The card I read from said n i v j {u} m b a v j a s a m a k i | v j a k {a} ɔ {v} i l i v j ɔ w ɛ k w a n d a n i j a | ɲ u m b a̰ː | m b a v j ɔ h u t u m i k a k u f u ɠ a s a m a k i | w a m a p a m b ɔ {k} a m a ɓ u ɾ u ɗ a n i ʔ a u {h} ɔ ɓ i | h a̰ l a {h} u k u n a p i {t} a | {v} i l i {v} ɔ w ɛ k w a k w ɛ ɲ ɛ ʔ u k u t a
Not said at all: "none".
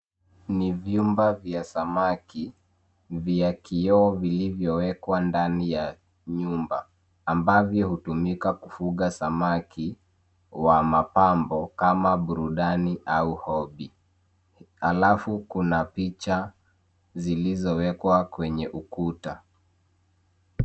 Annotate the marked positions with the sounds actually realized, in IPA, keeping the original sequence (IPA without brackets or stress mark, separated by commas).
u, i, v, k, h, f, t͡ʃ, z, z